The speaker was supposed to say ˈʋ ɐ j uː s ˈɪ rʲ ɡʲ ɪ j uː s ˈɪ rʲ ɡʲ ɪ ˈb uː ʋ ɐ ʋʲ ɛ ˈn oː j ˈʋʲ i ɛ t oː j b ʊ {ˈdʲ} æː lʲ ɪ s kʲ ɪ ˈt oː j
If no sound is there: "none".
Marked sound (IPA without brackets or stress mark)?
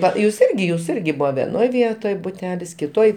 tʲ